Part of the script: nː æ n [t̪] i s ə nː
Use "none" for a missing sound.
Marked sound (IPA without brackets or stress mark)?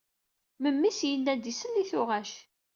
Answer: d̪